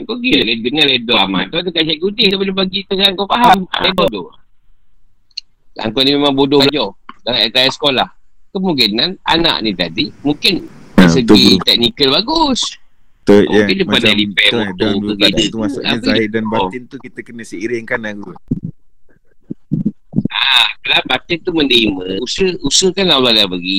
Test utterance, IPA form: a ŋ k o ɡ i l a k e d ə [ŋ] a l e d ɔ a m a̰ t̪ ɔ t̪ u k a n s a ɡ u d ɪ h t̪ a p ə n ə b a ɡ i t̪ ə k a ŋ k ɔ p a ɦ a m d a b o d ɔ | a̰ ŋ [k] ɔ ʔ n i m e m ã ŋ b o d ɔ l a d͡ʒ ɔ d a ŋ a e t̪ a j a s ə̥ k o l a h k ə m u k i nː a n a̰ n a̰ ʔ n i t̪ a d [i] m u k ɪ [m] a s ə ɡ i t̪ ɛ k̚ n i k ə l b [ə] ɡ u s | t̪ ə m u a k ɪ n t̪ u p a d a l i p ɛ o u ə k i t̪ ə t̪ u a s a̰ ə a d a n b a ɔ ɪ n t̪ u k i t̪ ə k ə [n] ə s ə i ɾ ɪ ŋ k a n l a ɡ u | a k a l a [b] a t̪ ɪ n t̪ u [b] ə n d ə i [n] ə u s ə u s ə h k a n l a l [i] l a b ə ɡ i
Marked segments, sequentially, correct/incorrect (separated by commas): correct, correct, correct, incorrect, incorrect, correct, correct, incorrect, incorrect, incorrect